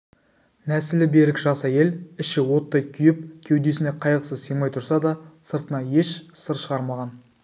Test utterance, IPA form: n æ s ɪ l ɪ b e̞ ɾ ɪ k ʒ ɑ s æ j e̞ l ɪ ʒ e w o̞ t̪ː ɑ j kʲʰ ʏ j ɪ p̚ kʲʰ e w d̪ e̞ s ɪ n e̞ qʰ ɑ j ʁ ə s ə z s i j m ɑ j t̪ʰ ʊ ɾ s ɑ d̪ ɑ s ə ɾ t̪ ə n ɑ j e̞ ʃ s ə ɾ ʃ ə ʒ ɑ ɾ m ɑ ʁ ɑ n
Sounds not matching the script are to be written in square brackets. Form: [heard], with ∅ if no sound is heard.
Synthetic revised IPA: n æ s ɪ l ɪ b e̞ ɾ ɪ k ʒ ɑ s æ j e̞ l ɪ [ʃ] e w o̞ t̪ː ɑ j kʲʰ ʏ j ɪ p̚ kʲʰ e w d̪ e̞ s ɪ n e̞ qʰ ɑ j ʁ ə s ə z s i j m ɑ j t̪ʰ ʊ ɾ s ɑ d̪ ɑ s ə ɾ t̪ ə n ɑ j e̞ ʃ s ə ɾ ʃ ə [ʁ] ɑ ɾ m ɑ ʁ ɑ n

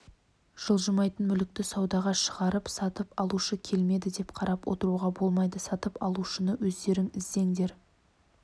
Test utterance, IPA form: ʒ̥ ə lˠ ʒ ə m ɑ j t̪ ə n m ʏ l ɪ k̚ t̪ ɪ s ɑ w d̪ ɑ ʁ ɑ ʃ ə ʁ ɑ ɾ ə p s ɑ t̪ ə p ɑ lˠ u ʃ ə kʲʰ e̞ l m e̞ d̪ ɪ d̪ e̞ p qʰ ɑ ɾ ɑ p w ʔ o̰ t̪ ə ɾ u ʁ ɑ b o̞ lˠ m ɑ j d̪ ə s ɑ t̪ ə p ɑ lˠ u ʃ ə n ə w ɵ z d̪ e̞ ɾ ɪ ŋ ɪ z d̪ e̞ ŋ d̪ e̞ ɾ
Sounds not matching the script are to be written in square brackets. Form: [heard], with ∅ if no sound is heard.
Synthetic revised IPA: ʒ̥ ə lˠ ʒ ə m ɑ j t̪ ə n m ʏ l ɪ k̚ t̪ ɪ s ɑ w d̪ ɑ ʁ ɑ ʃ ə ʁ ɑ ɾ ə p s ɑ t̪ ə p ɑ lˠ u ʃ ə kʲʰ e̞ l m e̞ d̪ ɪ d̪ e̞ p qʰ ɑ ɾ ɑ p w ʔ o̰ t̪ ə ɾ u ʁ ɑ b o̞ lˠ m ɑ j d̪ ə s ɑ t̪ ə p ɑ lˠ u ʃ ə n ə w ɵ z d̪ e̞ ɾ ɪ ŋ ɪ z d̪ e̞ ŋ d̪ e̞ ɾ

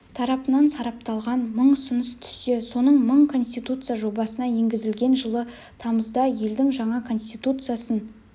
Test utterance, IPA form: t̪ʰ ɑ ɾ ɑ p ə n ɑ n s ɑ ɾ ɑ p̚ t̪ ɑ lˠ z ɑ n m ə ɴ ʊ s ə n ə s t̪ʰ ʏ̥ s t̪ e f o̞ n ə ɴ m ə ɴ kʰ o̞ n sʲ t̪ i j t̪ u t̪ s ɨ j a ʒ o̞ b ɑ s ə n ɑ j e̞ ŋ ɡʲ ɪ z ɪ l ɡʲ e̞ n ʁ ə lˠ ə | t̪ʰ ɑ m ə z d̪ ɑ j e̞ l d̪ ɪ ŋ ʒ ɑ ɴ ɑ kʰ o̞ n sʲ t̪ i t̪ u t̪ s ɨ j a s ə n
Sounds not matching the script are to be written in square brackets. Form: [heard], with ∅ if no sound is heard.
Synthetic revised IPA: t̪ʰ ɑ ɾ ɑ p ə n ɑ n s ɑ ɾ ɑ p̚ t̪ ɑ lˠ [ʁ] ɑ n m ə ɴ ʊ s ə n ə s t̪ʰ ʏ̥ s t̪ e [s] o̞ n ə ɴ m ə ɴ kʰ o̞ n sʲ t̪ i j t̪ u t̪ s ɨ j a ʒ o̞ b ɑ s ə n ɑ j e̞ ŋ ɡʲ ɪ z ɪ l ɡʲ e̞ n [ʒ] ə lˠ ə | t̪ʰ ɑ m ə z d̪ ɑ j e̞ l d̪ ɪ ŋ ʒ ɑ ɴ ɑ kʰ o̞ n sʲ t̪ i t̪ u t̪ s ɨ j a s ə n

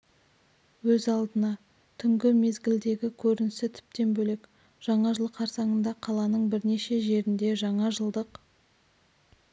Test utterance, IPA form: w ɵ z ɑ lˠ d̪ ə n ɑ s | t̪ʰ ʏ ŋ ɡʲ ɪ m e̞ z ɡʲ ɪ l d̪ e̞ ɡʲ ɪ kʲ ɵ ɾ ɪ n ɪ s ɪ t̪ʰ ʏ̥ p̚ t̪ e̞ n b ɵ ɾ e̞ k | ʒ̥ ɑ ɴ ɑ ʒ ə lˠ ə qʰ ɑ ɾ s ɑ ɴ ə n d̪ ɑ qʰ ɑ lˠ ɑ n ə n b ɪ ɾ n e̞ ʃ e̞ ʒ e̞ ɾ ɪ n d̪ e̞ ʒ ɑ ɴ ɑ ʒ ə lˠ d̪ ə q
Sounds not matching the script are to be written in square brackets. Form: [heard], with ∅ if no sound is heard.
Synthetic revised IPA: w ɵ z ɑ lˠ d̪ ə n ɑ [∅] | t̪ʰ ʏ ŋ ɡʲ ɪ m e̞ z ɡʲ ɪ l d̪ e̞ ɡʲ ɪ [kʲʰ] ɵ ɾ ɪ n ɪ s ɪ t̪ʰ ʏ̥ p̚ t̪ e̞ n b ɵ [l] e̞ k | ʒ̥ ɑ ɴ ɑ ʒ ə lˠ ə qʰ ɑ ɾ s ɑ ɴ ə n d̪ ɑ qʰ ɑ lˠ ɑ n ə [ɴ] b ɪ ɾ n e̞ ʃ e̞ ʒ e̞ ɾ ɪ n d̪ e̞ ʒ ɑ ɴ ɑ ʒ ə lˠ d̪ ə q

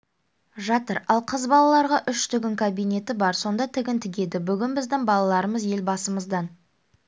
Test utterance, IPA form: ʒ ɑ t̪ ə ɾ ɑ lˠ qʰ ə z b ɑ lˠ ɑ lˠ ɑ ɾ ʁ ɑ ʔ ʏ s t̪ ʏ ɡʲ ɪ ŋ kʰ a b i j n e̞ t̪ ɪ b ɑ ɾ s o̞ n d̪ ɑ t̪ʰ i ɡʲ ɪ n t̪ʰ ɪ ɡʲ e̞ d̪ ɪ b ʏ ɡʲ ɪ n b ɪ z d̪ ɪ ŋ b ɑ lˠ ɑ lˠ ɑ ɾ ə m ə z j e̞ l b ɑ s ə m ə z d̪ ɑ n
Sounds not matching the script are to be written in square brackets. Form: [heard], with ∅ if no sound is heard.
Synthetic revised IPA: ʒ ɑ t̪ ə ɾ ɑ lˠ qʰ ə z b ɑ lˠ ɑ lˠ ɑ ɾ ʁ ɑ ʔ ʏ [ʃ] t̪ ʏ ɡʲ ɪ ŋ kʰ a b i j n e̞ t̪ ɪ b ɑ ɾ s o̞ n d̪ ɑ t̪ʰ [ɪ] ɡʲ ɪ n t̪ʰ ɪ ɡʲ e̞ d̪ ɪ b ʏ ɡʲ ɪ n b ɪ z d̪ ɪ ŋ b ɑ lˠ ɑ lˠ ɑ ɾ ə m ə z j e̞ l b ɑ s ə m ə z d̪ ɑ n

